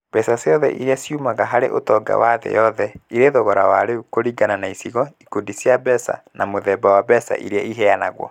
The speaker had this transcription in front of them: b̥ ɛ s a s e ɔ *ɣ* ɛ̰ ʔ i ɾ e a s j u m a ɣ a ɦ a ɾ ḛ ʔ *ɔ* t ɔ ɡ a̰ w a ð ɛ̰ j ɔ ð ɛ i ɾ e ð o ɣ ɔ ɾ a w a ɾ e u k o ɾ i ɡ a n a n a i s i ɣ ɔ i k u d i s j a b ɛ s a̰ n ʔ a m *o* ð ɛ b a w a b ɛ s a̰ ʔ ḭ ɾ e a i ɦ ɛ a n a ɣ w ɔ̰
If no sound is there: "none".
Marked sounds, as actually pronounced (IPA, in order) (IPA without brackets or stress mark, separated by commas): ð, o, o